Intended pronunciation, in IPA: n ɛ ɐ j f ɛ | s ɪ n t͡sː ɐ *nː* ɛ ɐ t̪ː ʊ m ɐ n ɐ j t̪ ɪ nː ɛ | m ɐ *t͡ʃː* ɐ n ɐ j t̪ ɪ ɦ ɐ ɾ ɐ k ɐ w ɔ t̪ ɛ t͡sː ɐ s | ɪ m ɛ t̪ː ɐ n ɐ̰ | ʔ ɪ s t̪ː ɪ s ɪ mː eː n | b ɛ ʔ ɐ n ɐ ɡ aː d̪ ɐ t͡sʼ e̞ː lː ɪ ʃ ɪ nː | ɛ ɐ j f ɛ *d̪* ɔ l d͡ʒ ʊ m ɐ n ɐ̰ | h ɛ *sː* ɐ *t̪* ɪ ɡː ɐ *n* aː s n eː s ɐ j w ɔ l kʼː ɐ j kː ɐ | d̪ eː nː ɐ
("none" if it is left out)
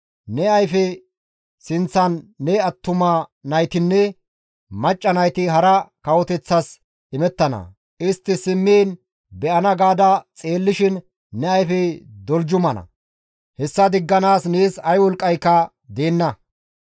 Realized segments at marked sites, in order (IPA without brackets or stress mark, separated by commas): nː, t͡ʃʼː, d̪, sː, d̪, n